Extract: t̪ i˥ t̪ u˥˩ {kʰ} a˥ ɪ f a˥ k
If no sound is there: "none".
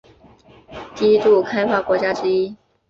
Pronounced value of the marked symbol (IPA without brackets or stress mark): kʰ